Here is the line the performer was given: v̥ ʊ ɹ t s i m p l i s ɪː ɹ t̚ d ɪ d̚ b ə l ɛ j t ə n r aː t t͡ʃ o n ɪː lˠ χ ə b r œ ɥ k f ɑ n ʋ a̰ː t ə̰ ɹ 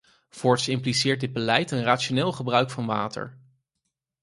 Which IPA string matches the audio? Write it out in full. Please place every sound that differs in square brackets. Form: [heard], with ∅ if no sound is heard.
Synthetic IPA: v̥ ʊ ɹ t s [ɪ] m p l i s ɪː ɹ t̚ d ɪ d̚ b ə l ɛ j t ə n r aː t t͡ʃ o n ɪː lˠ χ ə b r œ ɥ k f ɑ n ʋ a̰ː t ə̰ ɹ